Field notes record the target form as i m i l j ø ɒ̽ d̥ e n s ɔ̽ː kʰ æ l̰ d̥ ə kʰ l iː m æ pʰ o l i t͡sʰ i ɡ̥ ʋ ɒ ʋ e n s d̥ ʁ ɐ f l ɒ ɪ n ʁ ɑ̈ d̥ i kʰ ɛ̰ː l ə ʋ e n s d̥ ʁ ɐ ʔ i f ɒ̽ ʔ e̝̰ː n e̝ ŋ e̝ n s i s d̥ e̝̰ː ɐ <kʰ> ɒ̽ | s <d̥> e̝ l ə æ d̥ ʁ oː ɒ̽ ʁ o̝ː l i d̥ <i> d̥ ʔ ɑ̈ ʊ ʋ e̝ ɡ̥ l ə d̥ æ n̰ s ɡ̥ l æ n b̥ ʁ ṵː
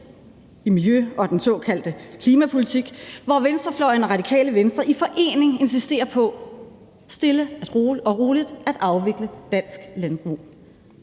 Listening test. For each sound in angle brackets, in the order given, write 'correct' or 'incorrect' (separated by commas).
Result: incorrect, correct, incorrect